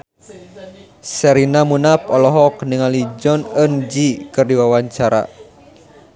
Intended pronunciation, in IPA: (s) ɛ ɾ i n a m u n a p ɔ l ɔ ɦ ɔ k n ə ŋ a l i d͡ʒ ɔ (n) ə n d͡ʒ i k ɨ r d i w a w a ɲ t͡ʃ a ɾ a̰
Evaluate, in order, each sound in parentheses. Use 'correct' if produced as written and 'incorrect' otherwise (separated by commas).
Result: correct, correct